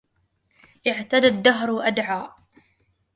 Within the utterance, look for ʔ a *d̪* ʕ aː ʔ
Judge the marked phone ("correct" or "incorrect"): correct